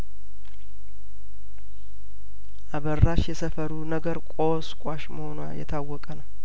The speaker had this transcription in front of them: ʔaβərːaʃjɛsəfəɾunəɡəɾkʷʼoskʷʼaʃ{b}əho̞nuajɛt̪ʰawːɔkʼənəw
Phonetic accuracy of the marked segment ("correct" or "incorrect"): incorrect